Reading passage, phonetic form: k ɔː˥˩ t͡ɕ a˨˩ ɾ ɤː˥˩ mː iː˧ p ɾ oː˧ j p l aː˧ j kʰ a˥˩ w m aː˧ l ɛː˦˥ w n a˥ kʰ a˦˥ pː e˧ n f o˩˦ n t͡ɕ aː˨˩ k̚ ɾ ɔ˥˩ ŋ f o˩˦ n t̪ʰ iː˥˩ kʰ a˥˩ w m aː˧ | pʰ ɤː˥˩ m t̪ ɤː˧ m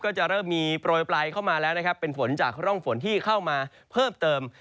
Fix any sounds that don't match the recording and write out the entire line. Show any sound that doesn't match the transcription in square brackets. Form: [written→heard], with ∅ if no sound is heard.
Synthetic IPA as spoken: k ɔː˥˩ t͡ɕ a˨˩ ɾ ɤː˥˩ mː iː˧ p ɾ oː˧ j p l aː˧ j kʰ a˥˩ w m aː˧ l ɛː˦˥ w n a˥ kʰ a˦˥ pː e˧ n f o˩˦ n t͡ɕ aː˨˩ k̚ ɾ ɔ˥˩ ŋ f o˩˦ n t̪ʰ iː˥˩ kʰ a˥˩ w m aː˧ | pʰ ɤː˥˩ m t̪ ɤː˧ m